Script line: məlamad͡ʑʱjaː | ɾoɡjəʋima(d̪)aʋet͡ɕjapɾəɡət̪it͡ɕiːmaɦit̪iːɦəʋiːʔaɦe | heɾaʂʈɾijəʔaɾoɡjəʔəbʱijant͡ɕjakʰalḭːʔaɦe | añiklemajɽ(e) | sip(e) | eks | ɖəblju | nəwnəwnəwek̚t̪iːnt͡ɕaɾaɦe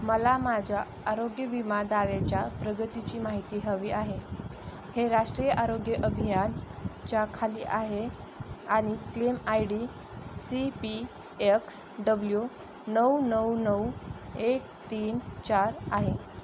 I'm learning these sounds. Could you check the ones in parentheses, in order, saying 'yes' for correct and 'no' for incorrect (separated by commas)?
yes, no, no